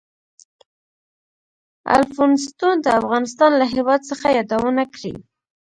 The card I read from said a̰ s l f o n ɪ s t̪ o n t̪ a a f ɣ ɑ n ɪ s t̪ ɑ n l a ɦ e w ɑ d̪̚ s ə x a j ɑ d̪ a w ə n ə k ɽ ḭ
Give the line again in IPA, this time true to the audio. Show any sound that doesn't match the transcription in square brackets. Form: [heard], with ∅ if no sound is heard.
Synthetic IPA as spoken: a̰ [∅] l f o n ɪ s t̪ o n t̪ a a f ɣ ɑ n ɪ s t̪ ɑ n l a ɦ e w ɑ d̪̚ s ə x a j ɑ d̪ a w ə n [a] k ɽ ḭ

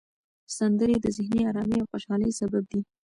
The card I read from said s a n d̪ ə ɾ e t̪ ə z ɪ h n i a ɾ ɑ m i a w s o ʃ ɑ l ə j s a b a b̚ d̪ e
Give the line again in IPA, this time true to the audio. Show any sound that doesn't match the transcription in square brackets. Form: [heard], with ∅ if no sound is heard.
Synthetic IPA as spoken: s a n d̪ ə ɾ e [d̪] ə z ɪ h n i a ɾ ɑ m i a w [x] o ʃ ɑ l ə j s a b a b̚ d̪ [i]

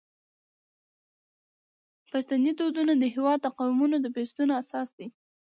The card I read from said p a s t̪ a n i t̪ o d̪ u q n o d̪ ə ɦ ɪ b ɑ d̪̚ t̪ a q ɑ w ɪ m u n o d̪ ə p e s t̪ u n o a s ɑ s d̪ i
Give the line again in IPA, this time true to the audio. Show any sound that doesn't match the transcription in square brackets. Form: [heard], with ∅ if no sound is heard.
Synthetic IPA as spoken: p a s t̪ a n i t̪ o d̪ u [∅] n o d̪ ə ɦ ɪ [w] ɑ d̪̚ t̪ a q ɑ w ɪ m u n o d̪ ə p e s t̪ u n o a s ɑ s d̪ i

